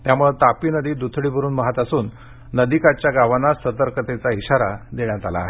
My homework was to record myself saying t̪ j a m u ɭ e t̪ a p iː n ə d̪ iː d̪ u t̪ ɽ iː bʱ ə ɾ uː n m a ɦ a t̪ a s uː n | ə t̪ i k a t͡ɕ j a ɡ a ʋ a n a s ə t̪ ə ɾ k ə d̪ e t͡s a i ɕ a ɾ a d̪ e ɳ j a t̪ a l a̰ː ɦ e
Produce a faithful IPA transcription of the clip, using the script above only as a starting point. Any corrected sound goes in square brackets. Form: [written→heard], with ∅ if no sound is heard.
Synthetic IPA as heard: t̪ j a m u ɭ e t̪ a p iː n ə d̪ iː d̪ u [t̪→t̪ʰ] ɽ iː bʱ ə ɾ uː n m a ɦ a t̪ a s uː [n→nː] | ə [t̪→d̪] i k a t͡ɕ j a ɡ a ʋ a n a s ə t̪ ə ɾ k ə [d̪→t̪] e t͡s a i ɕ a ɾ a d̪ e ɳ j a t̪ a l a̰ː ɦ e